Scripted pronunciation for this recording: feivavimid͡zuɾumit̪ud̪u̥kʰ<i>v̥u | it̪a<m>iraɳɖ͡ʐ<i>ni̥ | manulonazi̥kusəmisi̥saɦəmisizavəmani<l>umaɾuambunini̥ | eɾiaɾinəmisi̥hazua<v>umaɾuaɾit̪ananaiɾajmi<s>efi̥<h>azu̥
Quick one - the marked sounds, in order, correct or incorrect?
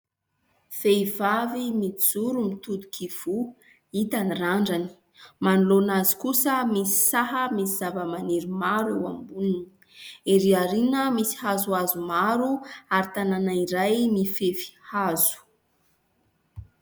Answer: correct, incorrect: n, incorrect: a, incorrect: ɾ, incorrect: z, incorrect: f, correct

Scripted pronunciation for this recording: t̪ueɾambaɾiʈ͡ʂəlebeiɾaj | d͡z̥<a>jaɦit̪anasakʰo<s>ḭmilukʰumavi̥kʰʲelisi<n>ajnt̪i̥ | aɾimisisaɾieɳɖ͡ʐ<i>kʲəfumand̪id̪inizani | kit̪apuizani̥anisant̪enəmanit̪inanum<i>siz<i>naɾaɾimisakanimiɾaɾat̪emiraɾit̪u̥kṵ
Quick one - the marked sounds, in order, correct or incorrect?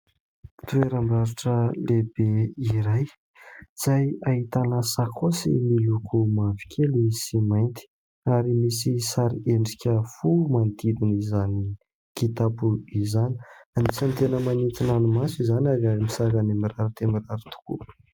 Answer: correct, correct, incorrect: m, correct, incorrect: a, incorrect: a

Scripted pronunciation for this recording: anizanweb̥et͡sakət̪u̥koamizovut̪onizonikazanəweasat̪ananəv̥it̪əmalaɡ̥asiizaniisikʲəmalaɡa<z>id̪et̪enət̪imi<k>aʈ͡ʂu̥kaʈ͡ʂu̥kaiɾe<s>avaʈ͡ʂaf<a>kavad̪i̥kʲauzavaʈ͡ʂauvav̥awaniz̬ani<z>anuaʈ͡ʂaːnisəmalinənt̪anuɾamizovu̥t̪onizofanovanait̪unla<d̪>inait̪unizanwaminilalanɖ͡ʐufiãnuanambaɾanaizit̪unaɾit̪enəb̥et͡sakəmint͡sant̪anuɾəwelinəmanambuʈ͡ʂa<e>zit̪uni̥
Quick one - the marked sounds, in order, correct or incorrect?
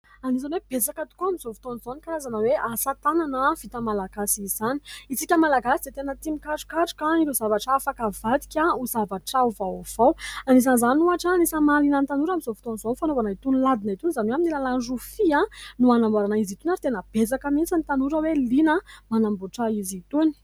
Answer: incorrect: s, correct, incorrect: z, correct, correct, correct, incorrect: i

